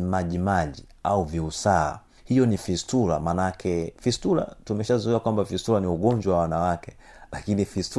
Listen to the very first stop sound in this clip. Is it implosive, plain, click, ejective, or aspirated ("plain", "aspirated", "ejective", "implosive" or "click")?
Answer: implosive